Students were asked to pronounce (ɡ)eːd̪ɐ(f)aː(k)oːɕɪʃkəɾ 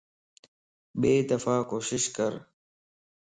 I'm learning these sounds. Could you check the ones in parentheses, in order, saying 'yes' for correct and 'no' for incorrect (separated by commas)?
no, yes, yes